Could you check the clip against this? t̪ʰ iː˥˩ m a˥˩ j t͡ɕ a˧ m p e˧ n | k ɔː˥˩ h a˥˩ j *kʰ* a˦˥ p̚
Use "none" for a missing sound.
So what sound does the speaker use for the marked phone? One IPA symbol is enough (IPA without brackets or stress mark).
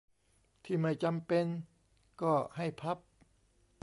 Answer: pʰ